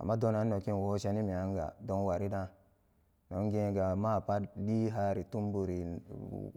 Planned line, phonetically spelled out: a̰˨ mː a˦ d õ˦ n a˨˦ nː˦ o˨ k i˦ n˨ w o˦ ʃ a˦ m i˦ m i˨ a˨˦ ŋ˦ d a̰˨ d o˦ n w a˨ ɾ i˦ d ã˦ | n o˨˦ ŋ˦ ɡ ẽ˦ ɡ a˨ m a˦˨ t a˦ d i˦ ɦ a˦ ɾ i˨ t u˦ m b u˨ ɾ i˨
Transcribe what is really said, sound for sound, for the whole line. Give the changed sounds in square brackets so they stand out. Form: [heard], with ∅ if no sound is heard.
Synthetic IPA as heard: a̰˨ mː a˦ d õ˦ n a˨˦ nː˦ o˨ k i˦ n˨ w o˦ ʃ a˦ [n] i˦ m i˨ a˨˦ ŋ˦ [ɡ] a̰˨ d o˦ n w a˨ ɾ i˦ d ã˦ | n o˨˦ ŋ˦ ɡ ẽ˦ ɡ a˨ m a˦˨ [p] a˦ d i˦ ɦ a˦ ɾ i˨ t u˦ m b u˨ ɾ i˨